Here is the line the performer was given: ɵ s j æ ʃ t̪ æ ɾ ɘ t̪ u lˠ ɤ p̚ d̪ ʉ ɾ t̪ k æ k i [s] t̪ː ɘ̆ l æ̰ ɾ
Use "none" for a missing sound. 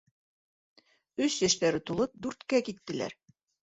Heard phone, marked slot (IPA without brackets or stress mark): none